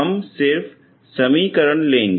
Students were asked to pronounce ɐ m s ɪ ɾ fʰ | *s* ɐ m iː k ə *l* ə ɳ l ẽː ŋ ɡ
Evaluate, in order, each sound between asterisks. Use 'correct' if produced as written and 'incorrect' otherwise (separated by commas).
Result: correct, incorrect